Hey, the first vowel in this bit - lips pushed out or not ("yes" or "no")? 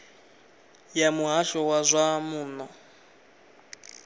no